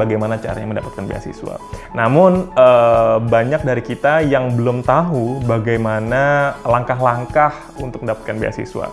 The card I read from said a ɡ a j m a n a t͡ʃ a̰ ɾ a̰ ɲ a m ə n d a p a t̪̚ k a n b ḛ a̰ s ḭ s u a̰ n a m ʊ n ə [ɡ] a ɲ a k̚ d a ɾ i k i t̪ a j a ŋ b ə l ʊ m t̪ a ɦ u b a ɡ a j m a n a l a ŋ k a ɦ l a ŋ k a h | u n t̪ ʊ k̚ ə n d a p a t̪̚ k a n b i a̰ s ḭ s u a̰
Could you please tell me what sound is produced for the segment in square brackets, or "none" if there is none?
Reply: b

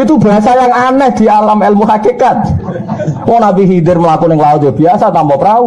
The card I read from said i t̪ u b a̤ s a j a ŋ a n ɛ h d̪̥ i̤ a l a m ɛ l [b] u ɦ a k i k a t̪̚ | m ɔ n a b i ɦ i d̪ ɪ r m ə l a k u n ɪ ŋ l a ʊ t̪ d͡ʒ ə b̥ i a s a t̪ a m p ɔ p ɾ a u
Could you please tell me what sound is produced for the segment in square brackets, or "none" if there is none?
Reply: m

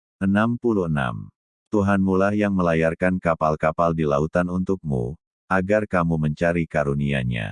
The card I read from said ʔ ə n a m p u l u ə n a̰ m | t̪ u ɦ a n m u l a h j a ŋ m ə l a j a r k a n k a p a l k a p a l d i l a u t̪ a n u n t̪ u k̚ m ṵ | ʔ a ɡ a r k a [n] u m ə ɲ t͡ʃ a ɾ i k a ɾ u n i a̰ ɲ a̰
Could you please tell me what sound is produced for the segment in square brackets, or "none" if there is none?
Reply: m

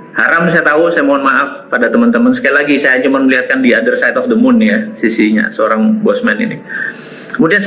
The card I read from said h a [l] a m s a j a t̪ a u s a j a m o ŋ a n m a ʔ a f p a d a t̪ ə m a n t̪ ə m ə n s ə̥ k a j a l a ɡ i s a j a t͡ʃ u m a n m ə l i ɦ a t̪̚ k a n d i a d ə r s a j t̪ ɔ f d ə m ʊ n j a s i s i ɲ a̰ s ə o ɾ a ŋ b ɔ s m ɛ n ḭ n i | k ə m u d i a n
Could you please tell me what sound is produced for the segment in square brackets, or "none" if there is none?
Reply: ɾ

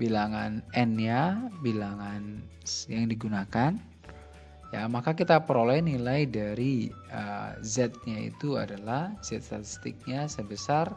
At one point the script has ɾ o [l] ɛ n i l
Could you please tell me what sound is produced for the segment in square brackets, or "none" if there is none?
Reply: l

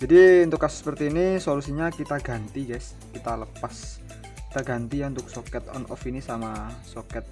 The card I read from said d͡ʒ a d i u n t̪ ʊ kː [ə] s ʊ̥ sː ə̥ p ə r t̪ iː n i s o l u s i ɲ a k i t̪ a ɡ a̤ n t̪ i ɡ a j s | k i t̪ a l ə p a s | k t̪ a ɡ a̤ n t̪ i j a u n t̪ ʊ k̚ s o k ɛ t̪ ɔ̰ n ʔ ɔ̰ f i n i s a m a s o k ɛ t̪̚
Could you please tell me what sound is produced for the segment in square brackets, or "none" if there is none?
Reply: a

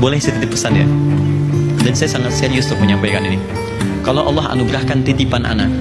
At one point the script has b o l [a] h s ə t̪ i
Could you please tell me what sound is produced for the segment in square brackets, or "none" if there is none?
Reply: ɛ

